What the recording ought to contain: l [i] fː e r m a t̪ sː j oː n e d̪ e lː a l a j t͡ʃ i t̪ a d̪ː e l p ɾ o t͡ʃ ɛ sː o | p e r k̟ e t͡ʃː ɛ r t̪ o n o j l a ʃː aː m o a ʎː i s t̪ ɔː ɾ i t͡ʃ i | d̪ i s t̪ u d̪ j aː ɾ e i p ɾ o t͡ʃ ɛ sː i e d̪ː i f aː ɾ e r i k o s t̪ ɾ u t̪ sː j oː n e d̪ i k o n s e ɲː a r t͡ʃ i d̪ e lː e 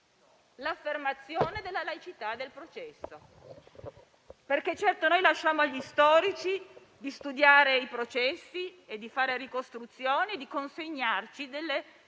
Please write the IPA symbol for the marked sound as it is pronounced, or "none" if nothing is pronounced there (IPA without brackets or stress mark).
a